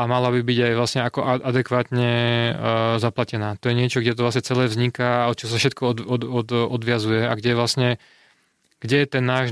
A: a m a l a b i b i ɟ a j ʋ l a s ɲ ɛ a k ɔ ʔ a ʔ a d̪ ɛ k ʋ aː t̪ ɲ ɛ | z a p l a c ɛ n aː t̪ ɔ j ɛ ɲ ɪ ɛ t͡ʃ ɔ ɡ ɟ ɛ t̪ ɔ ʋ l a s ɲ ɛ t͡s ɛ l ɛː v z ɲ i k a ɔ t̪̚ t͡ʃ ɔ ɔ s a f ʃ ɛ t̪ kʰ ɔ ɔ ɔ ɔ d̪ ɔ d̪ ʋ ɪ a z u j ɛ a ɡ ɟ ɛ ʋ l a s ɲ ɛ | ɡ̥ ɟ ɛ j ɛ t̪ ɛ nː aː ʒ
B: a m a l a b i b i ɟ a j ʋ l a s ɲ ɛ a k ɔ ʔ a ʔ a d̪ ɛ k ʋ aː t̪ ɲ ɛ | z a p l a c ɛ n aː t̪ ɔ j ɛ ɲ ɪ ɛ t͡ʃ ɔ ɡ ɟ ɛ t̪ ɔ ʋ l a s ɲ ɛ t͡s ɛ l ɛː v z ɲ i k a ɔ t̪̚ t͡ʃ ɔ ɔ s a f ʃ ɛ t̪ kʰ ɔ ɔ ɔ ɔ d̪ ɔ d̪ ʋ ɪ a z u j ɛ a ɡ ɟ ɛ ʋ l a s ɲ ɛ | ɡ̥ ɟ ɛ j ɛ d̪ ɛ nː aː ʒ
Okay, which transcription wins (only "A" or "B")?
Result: A